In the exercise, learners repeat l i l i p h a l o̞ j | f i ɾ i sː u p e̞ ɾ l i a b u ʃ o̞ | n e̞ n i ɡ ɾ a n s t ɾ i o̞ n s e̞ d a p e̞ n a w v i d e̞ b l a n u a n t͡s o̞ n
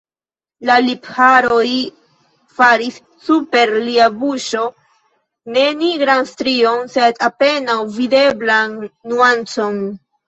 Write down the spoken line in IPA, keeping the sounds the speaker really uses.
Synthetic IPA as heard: l a l i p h a ɾ o̞ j | f a ɾ i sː u p e̞ ɾ l i a b u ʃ o̞ | n e̞ n i ɡ ɾ a n s t ɾ i o̞ n s e̞ d a p e̞ n a w v i d e̞ b l a nː u a n t͡s o̞ n